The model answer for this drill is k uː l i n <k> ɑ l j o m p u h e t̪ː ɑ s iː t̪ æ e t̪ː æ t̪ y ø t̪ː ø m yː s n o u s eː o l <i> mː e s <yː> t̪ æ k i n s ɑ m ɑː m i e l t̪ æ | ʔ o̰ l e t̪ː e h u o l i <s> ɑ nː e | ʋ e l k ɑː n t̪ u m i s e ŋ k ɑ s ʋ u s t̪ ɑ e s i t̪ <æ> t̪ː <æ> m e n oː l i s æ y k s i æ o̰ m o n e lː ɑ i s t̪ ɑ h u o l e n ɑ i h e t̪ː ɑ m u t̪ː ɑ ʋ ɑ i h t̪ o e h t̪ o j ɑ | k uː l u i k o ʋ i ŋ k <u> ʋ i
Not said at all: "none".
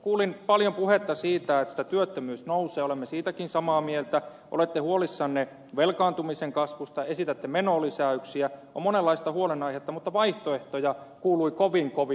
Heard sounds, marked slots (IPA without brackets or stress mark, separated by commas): p, e, iː, sː, æ, e, o